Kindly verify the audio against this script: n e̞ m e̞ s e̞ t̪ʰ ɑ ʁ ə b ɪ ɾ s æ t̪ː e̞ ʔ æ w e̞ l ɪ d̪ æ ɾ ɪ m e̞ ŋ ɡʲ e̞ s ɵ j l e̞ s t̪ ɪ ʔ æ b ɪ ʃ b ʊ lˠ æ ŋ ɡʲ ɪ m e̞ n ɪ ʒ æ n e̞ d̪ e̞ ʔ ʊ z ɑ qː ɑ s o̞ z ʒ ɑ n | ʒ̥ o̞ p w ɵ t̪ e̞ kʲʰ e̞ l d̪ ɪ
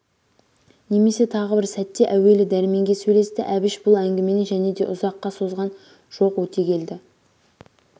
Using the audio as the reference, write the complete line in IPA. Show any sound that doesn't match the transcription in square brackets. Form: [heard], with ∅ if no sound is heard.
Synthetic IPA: n e̞ m e̞ s e̞ t̪ʰ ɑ ʁ ə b ɪ ɾ s æ t̪ː e̞ ʔ æ w e̞ l ɪ d̪ æ ɾ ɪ m e̞ ŋ ɡʲ e̞ s ɵ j l e̞ s t̪ ɪ ʔ æ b ɪ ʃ b ʊ lˠ æ ŋ ɡʲ ɪ m e̞ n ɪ ʒ æ n e̞ d̪ e̞ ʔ ʊ z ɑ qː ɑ s o̞ z [ʁ] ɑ n | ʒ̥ o̞ [q] w ɵ t̪ e̞ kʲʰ e̞ l d̪ ɪ

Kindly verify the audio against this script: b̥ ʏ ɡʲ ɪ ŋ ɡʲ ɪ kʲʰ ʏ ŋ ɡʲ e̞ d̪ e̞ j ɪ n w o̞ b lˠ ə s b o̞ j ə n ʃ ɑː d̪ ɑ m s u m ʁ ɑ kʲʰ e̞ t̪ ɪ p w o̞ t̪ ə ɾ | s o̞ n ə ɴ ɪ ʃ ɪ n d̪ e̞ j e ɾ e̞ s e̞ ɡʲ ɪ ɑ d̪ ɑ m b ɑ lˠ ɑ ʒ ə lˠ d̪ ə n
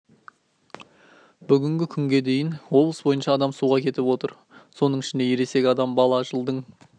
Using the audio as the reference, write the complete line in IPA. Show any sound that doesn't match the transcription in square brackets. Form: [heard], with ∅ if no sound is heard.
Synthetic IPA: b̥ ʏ ɡʲ ɪ ŋ ɡʲ ɪ kʲʰ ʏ ŋ ɡʲ e̞ d̪ e̞ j ɪ n w o̞ b lˠ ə s b o̞ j ə n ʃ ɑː d̪ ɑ m s u [∅] ʁ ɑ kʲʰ e̞ t̪ ɪ p w o̞ t̪ ə ɾ | s o̞ n ə ɴ ɪ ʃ ɪ n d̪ e̞ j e ɾ e̞ s e̞ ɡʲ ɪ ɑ d̪ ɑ m b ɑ lˠ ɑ ʒ ə lˠ d̪ ə [ɴ]

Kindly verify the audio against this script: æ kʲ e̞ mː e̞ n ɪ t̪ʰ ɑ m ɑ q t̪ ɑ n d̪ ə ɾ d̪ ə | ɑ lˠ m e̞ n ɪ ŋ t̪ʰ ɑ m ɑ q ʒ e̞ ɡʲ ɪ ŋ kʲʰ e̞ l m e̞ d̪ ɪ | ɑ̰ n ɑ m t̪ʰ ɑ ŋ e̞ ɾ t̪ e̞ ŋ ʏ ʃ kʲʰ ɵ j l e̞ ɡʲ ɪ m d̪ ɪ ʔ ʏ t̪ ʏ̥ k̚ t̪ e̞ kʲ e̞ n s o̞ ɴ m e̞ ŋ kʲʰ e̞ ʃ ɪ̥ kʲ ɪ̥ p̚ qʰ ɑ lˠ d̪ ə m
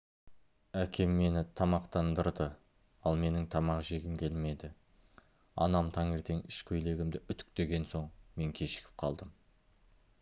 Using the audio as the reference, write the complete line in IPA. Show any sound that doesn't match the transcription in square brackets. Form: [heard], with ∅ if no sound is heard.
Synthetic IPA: æ kʲ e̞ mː e̞ n ɪ t̪ʰ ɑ m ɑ q t̪ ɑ n d̪ ə ɾ d̪ ə | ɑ lˠ m e̞ n ɪ ŋ t̪ʰ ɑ m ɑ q ʒ e̞ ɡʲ ɪ [m] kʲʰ e̞ l m e̞ d̪ ɪ | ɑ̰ n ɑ m t̪ʰ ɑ ŋ e̞ ɾ t̪ e̞ ŋ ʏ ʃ kʲʰ ɵ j l e̞ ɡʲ ɪ m d̪ ɪ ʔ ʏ t̪ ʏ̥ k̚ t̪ e̞ [ɡʲ] e̞ n s o̞ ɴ m e̞ ŋ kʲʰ e̞ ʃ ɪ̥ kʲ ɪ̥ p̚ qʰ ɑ lˠ d̪ ə m

